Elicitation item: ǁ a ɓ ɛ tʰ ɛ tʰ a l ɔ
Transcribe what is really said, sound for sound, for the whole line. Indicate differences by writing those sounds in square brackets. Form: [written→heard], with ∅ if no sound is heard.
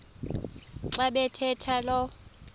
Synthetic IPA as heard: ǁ a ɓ ɛ tʰ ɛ tʰ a l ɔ